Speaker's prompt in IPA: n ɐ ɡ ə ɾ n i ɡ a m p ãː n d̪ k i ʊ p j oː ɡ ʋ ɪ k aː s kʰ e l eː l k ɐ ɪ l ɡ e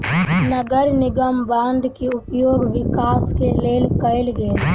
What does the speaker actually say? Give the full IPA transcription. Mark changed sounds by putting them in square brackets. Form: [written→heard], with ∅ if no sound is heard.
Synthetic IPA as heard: n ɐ ɡ ə ɾ n [i→ɪ] ɡ [a→ə] m [p→b] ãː n d̪ k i ʊ p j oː ɡ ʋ ɪ k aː s [kʰ→k] e l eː l k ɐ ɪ l ɡ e